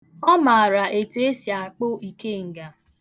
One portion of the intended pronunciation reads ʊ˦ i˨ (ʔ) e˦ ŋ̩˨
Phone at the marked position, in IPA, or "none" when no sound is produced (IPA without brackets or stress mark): k